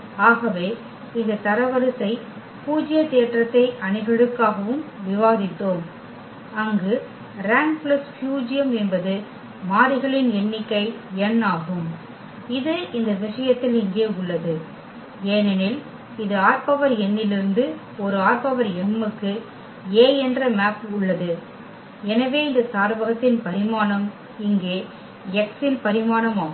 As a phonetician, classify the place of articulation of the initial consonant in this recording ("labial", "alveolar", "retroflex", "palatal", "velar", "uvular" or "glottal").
velar